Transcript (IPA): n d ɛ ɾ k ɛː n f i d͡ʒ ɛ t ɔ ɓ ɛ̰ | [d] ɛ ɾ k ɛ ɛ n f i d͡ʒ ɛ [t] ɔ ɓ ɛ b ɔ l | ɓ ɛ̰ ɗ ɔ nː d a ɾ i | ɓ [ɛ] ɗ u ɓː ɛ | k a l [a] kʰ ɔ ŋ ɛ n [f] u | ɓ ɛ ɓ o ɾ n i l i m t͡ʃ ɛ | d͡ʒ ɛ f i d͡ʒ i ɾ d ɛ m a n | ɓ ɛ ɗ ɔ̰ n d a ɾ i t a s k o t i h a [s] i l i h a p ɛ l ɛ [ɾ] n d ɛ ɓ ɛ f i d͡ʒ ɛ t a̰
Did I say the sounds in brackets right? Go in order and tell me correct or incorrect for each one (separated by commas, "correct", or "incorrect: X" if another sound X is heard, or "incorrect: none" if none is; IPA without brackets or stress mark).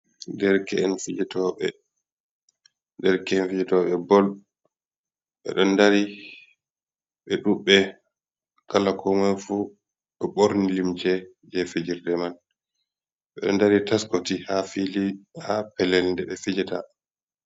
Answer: correct, correct, correct, correct, correct, incorrect: f, incorrect: l